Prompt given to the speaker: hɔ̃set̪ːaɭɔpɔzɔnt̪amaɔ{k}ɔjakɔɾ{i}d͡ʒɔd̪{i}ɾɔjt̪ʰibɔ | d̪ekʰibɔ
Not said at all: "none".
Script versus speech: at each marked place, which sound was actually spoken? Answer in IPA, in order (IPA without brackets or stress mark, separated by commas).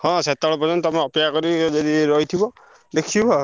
p, i, i